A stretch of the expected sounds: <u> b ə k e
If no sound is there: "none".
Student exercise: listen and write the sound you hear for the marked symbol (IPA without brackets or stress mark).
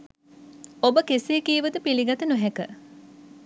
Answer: o